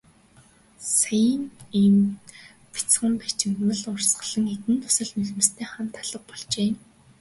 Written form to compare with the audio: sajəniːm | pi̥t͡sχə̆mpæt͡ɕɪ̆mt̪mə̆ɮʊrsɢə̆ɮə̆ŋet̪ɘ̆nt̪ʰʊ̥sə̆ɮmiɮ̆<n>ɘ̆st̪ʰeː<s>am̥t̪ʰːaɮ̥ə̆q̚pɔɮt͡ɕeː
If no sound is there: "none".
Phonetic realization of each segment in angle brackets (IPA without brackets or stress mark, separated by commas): m, χ